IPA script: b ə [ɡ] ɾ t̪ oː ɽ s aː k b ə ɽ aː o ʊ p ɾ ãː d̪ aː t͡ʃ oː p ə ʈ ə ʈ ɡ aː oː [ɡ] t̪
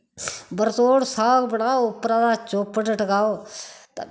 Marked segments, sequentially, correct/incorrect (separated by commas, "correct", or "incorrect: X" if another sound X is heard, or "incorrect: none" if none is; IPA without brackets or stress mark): incorrect: none, incorrect: none